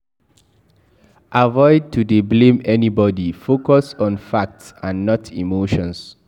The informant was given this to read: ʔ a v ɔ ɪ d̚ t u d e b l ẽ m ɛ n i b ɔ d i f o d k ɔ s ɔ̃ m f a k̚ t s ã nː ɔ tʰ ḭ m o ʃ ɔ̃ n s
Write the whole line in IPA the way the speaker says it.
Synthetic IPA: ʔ a v ɔ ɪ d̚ t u d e b l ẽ m ɛ n i b ɔ d i f o k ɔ s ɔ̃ n f a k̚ t s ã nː ɔ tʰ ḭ m o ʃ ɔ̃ n s